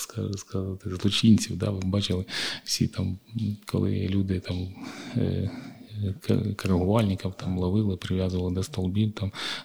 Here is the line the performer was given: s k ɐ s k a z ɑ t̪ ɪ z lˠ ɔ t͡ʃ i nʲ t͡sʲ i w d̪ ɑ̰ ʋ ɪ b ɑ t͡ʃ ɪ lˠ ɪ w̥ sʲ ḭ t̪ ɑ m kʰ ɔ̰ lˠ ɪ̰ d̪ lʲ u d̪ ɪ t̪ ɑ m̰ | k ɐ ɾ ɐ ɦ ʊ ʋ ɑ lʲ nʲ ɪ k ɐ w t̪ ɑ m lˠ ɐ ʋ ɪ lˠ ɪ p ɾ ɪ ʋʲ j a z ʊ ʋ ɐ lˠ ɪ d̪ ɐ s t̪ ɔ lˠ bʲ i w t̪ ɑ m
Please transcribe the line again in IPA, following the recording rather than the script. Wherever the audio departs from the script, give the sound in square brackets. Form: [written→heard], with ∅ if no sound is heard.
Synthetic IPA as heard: s k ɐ s k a z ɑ t̪ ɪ z lˠ ɔ t͡ʃ i nʲ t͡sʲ i w d̪ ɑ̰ ʋ ɪ b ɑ t͡ʃ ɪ lˠ ɪ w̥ sʲ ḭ t̪ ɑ m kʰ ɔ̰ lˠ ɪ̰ [d̪→∅] lʲ u d̪ ɪ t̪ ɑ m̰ | k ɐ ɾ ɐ ɦ ʊ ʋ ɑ lʲ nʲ ɪ k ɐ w t̪ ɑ m lˠ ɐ ʋ ɪ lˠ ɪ p ɾ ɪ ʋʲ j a z ʊ ʋ ɐ lˠ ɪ d̪ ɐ s t̪ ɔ lˠ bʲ i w t̪ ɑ m